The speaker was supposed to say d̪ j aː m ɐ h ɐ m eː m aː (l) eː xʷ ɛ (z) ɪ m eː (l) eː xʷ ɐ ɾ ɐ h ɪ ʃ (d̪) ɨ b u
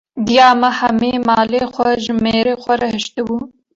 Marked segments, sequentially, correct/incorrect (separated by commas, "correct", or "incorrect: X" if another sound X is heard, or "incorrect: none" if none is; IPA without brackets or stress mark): correct, incorrect: ʒ, incorrect: ɾ, incorrect: t̪